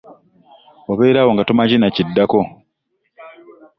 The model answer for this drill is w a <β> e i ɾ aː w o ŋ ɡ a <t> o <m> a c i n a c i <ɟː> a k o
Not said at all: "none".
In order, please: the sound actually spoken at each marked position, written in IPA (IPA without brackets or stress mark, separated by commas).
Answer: β, t, m, dː